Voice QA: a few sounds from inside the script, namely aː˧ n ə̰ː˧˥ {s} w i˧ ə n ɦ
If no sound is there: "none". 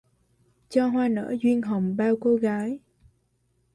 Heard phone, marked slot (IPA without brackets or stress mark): z